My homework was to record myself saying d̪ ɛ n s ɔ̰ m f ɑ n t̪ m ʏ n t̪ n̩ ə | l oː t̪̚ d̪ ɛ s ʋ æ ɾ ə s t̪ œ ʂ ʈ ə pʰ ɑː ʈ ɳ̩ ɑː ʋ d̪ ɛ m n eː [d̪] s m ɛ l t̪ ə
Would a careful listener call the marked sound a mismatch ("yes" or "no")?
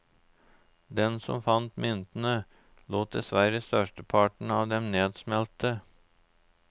no